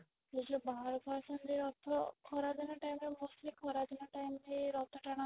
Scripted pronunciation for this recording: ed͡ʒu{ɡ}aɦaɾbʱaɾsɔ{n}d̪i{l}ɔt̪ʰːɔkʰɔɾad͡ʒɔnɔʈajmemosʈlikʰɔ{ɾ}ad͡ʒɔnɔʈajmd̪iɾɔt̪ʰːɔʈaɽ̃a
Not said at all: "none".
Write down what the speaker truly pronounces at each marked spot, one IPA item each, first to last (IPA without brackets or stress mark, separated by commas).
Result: b, n, ɾ, ɾ